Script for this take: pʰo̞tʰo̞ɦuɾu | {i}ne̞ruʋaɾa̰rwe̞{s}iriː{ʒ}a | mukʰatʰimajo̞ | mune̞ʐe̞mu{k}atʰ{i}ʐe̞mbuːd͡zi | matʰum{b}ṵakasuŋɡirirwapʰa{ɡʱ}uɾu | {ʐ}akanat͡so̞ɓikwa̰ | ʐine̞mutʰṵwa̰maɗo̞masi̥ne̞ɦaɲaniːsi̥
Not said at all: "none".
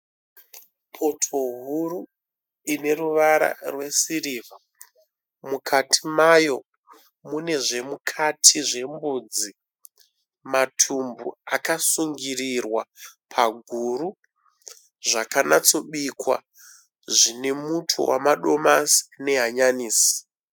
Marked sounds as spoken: i, s, v, kʰ, i, b, ɡʱ, ʐ

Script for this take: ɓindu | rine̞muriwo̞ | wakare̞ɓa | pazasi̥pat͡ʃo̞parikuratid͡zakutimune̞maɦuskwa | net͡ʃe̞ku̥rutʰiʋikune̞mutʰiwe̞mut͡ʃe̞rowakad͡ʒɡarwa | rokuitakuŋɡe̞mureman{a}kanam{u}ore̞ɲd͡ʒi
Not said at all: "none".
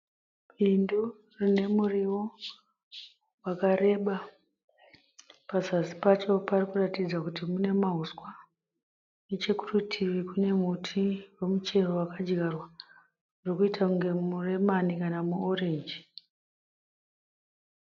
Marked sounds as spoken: i, u

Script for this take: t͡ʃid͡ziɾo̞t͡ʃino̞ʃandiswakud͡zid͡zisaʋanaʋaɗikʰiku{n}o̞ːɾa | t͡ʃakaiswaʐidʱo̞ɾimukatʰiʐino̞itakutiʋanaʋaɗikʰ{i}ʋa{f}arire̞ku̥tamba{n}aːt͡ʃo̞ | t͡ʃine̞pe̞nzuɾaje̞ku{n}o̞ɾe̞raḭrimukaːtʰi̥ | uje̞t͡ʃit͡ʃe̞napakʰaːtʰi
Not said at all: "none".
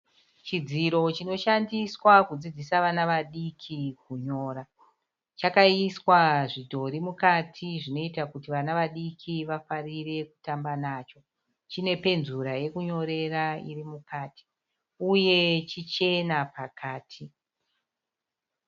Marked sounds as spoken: ɲ, i, f, n, ɲ

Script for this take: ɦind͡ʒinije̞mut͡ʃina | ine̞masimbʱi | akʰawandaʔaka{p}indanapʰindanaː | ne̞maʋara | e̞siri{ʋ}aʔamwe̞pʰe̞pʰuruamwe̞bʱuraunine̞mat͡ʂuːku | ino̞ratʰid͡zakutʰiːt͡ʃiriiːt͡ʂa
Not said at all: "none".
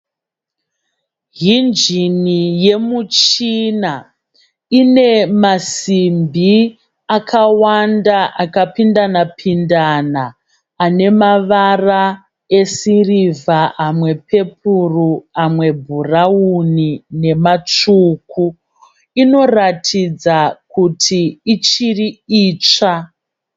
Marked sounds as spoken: p, v

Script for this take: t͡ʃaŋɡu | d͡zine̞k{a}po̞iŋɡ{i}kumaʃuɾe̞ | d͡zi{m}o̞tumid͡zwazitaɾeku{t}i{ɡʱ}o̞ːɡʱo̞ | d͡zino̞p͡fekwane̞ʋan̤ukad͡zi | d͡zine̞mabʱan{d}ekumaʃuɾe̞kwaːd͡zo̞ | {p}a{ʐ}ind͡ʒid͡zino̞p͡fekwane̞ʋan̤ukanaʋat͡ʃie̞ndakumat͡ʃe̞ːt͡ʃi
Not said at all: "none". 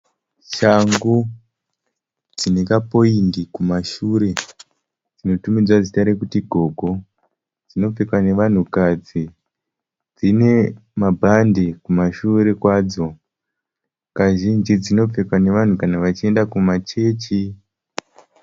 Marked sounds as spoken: a, i, n, t, ɡʱ, d, k, ʒ

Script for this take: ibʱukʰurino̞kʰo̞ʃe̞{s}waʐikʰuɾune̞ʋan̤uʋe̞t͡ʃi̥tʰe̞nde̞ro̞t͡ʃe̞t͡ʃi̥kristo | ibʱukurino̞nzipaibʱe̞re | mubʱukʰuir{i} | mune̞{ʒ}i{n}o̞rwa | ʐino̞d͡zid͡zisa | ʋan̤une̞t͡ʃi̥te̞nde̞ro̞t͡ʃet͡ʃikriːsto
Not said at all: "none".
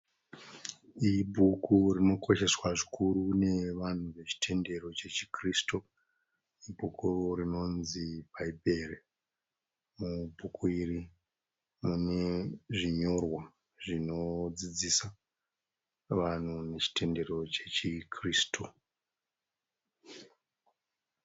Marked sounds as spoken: s, i, ʐ, ɲ

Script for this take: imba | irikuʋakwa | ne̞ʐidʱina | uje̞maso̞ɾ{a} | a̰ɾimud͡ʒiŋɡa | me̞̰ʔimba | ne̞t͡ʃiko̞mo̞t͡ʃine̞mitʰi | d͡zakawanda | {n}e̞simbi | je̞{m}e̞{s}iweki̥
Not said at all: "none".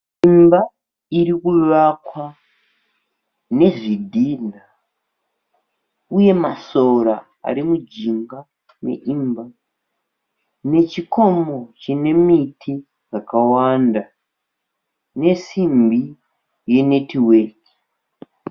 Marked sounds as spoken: a, n, n, t

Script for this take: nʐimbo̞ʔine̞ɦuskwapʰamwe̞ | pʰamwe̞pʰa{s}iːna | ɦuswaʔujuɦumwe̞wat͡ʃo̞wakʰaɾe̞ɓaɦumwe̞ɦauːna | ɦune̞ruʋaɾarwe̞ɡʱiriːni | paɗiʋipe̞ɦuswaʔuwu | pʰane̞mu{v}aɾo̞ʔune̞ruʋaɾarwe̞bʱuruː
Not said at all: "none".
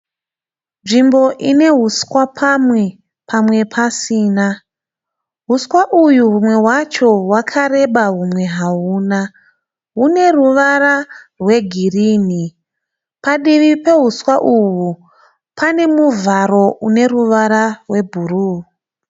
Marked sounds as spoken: s, v

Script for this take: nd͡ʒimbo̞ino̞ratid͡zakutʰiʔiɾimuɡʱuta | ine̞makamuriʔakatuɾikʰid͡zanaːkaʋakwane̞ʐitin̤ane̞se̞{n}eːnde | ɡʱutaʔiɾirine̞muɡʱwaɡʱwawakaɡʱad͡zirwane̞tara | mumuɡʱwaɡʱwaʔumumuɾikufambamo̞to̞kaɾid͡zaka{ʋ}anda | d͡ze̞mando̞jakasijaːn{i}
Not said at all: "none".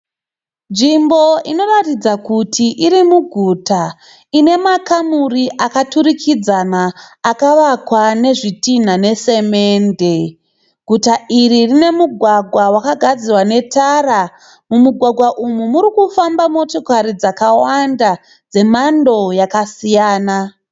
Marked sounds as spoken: m, w, a

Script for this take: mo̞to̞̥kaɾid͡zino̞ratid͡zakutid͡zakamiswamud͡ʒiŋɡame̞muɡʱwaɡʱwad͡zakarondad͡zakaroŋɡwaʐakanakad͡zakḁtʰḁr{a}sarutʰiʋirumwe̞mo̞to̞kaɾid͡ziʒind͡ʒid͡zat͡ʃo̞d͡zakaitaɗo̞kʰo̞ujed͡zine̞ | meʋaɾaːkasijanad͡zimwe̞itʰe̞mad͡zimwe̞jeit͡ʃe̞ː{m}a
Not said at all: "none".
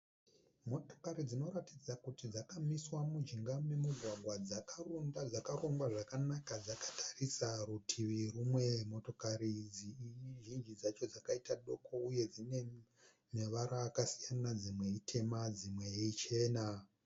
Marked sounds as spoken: i, n

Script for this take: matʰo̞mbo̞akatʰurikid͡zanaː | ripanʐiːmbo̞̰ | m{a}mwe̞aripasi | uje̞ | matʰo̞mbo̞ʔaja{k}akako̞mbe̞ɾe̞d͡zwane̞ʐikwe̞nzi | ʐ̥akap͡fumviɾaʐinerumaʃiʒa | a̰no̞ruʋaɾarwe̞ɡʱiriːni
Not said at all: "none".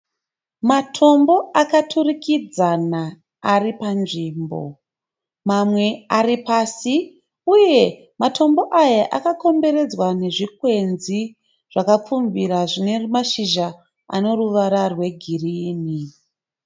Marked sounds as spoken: a, ʔ

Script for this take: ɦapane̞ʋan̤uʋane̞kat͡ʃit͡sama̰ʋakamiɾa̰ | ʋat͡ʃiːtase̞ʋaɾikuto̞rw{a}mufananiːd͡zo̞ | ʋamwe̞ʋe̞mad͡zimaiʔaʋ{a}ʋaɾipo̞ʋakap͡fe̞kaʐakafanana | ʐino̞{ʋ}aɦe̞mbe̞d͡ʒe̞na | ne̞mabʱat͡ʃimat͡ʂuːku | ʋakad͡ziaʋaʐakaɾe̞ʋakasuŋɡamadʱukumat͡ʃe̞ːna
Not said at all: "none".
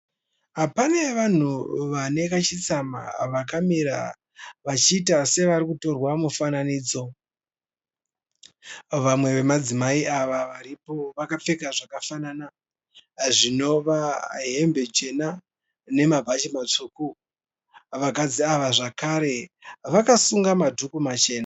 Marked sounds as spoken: a, a, ʋ

